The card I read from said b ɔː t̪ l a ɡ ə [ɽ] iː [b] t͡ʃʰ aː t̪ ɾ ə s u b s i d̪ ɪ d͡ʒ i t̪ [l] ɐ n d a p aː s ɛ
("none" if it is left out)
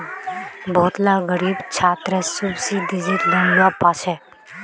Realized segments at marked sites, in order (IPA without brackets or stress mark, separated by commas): ɾ, b, l